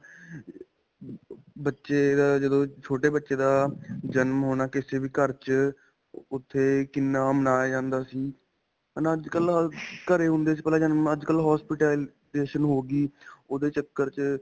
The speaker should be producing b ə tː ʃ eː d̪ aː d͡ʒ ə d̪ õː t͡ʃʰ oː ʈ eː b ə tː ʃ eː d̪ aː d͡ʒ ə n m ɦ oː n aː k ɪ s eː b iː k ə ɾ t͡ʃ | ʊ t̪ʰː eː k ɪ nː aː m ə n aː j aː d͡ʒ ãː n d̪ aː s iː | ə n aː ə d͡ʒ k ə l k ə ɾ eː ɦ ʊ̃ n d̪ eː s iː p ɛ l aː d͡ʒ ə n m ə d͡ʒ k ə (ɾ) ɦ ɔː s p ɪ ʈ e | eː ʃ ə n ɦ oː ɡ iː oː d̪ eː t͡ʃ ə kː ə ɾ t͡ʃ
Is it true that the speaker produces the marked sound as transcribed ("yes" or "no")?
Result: no